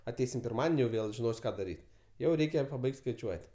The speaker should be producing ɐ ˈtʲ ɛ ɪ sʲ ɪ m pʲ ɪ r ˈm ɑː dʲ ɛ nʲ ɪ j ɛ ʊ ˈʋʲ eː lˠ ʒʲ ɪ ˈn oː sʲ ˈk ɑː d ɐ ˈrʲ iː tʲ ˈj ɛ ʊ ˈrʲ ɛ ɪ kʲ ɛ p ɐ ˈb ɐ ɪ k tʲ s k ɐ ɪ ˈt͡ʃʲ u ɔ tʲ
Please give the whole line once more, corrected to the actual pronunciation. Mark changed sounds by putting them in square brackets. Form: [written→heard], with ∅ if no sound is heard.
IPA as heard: ɐ ˈtʲ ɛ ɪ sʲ ɪ m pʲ ɪ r ˈm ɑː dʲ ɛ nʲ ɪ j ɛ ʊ ˈʋʲ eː lˠ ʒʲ ɪ ˈn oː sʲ ˈk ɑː d ɐ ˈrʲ iː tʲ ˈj ɛ ʊ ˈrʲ ɛ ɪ kʲ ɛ p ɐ ˈb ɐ ɪ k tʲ s k ɐ ɪ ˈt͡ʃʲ u ɔ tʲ